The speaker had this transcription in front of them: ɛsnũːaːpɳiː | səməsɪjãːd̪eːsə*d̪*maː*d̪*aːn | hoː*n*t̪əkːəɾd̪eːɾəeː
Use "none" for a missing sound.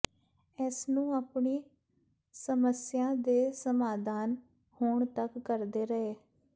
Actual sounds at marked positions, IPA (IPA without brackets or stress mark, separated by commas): none, d̪, ɳ